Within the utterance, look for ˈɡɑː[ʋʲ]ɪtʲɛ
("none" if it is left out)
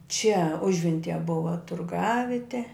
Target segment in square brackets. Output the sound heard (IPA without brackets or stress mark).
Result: ʋʲ